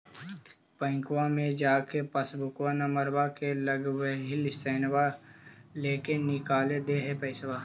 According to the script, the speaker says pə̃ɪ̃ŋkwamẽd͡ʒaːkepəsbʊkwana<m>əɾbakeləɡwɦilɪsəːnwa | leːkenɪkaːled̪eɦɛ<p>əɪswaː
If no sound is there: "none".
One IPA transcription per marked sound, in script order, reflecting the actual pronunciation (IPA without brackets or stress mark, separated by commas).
m, p